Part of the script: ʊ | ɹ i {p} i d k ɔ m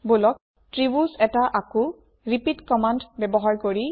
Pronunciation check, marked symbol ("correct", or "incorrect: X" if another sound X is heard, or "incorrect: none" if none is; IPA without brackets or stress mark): correct